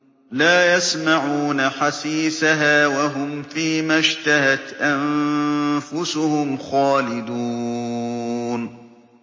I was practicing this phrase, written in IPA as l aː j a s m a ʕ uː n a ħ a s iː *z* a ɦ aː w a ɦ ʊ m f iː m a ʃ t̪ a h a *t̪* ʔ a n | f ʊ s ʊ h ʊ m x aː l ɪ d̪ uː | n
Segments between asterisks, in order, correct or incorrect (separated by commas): incorrect, correct